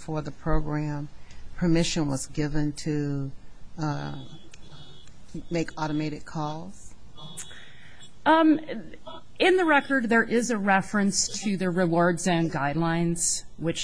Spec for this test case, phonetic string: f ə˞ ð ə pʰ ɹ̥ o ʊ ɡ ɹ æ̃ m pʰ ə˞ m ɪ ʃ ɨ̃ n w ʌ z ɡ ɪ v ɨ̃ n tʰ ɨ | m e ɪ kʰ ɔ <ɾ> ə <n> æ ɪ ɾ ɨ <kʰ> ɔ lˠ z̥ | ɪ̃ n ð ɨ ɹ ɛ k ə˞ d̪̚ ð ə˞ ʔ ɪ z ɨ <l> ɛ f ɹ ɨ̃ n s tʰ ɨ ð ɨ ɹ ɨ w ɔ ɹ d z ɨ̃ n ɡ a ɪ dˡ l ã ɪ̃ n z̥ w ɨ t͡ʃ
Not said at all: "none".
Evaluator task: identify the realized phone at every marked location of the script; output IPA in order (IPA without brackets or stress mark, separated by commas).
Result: ɾ, m, kʰ, ɹ